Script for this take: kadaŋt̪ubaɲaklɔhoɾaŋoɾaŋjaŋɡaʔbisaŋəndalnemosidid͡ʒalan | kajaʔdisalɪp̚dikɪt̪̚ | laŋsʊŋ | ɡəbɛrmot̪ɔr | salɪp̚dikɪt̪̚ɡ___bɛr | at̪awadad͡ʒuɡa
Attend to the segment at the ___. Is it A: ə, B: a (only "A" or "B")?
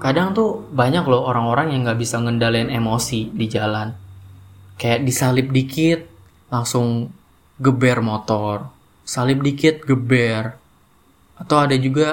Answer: A